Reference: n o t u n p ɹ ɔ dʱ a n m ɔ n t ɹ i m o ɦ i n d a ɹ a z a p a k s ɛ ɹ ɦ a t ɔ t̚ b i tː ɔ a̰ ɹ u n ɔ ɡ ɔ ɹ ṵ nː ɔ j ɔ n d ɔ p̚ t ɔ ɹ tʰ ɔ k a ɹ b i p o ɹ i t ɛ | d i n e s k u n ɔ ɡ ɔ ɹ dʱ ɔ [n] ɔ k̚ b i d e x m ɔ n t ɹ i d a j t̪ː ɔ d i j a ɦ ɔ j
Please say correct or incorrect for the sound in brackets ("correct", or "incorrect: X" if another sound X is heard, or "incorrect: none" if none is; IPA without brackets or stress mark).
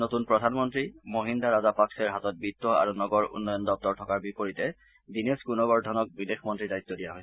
correct